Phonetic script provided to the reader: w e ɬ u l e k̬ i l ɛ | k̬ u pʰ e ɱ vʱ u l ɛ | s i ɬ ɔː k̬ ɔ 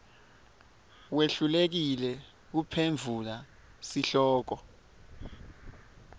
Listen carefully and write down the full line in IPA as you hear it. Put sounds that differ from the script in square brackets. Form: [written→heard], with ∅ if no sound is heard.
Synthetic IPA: w e ɬ u l e k̬ i l ɛ | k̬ u pʰ e ɱ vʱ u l [ɛ→a] | s i ɬ ɔː k̬ ɔ